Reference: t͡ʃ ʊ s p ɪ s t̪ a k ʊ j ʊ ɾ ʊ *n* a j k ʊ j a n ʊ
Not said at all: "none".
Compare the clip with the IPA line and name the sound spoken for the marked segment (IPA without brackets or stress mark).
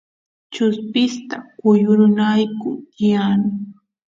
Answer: n